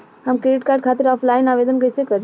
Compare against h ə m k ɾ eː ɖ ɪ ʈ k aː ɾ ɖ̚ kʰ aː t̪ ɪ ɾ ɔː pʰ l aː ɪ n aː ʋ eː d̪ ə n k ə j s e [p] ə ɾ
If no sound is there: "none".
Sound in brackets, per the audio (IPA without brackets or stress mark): k